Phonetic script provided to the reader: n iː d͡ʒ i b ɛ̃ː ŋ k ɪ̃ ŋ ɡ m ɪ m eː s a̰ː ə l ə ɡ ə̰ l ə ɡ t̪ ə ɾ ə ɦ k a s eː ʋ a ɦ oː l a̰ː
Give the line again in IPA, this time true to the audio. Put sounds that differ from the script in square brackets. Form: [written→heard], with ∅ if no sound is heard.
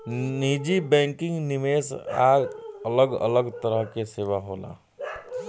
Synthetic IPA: n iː d͡ʒ i b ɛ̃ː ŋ k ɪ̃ ŋ ɡ [m→n] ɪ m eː s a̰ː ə l ə ɡ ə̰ l ə ɡ t̪ ə ɾ ə ɦ k [a→e] s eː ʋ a ɦ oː l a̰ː